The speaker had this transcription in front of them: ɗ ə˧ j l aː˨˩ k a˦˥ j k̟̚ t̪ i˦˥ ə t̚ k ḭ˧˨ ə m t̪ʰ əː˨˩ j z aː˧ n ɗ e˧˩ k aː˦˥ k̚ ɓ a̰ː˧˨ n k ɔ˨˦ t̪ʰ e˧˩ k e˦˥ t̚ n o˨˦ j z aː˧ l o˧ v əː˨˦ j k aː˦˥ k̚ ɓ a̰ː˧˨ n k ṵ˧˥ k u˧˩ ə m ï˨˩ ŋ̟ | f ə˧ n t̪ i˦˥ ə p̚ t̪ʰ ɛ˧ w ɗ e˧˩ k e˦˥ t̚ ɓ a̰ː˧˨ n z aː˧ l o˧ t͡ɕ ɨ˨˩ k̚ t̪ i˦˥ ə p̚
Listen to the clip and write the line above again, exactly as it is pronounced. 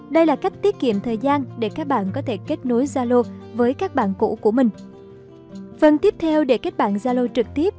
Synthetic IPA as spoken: ɗ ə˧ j l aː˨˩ k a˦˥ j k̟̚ t̪ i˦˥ ə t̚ k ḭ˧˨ ə m t̪ʰ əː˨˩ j z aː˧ n ɗ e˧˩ k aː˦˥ k̚ ɓ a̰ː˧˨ n k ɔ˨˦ t̪ʰ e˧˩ k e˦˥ t̚ n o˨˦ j z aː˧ l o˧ v əː˨˦ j k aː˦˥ k̚ ɓ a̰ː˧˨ n k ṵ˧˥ k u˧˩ ə m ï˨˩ ŋ̟ | f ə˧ n t̪ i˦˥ ə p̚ t̪ʰ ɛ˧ w ɗ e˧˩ k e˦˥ t̚ ɓ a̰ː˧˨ n z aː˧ l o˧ t͡ɕ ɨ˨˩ k̚ t̪ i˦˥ ə p̚